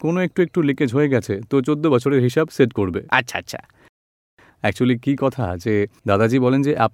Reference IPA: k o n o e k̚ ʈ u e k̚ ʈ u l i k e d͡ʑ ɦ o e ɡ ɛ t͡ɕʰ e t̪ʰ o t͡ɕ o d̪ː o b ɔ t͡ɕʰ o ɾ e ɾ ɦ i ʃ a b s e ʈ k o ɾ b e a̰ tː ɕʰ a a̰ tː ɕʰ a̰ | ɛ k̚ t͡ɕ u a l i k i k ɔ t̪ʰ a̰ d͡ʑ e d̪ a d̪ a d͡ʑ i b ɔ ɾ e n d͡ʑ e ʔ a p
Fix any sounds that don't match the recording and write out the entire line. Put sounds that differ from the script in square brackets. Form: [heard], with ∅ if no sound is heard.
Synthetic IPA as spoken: k o n o e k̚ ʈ u e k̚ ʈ u l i k e d͡ʑ ɦ o e ɡ ɛ t͡ɕʰ e [t̪] o t͡ɕ o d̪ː o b ɔ t͡ɕʰ o ɾ e ɾ ɦ i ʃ a b s e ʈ k o ɾ b e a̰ tː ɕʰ a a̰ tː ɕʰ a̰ | ɛ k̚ t͡ɕ u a l i k i k ɔ t̪ʰ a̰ d͡ʑ e d̪ a d̪ a d͡ʑ i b ɔ [l] e n d͡ʑ e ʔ a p